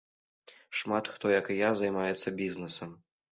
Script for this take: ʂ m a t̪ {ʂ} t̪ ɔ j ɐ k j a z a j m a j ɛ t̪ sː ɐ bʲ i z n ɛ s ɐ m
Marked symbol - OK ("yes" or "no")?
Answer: no